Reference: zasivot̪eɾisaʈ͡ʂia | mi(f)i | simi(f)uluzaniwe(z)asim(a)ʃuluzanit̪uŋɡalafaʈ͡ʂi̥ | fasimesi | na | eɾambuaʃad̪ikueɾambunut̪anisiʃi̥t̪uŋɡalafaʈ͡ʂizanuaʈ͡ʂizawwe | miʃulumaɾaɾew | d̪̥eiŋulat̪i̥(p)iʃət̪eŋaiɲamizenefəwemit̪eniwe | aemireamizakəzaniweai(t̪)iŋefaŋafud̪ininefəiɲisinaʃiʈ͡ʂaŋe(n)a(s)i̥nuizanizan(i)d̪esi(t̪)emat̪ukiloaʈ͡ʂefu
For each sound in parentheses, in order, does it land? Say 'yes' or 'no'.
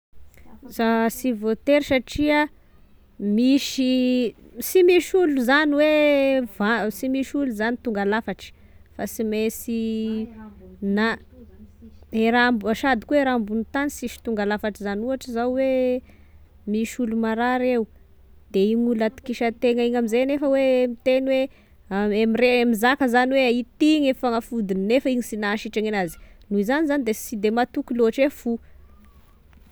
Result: no, no, no, no, no, yes, yes, no, yes, no

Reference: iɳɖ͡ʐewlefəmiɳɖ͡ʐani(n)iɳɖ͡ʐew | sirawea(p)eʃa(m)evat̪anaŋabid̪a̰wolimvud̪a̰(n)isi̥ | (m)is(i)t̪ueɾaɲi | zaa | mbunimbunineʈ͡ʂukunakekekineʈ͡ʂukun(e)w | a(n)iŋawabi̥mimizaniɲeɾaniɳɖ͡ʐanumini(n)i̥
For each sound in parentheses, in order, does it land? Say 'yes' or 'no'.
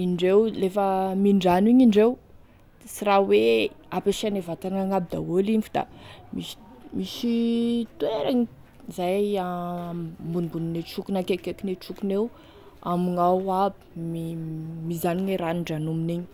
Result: no, yes, no, no, yes, yes, yes, no, no

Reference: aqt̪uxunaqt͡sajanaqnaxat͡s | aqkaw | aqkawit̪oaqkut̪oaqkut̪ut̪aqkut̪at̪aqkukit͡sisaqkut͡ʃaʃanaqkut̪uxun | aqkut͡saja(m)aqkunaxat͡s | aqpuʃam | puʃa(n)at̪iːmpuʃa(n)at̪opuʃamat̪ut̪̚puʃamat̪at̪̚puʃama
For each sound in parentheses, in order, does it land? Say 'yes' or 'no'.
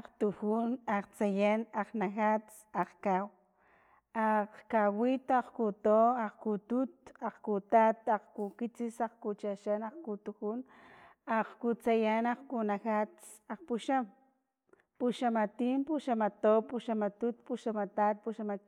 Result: no, no, no

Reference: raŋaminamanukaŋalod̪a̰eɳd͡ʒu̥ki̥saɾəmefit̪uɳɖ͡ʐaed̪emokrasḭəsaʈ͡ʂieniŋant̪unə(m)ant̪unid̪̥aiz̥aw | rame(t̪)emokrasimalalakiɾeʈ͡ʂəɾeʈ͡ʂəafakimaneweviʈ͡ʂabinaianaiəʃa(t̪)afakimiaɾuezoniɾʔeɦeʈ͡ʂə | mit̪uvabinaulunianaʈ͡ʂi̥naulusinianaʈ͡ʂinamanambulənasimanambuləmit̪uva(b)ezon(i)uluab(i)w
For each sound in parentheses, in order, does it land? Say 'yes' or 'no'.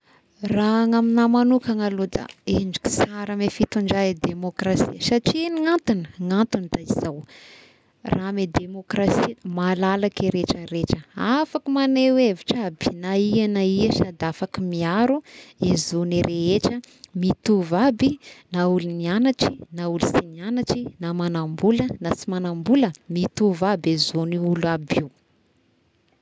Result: no, no, no, yes, yes, yes

